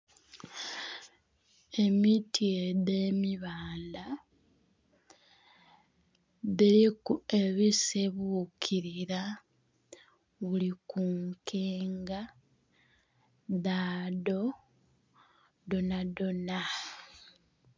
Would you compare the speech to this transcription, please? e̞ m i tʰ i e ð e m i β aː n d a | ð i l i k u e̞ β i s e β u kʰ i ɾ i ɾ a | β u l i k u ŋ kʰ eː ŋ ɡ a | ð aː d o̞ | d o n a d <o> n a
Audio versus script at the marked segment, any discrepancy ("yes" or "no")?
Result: no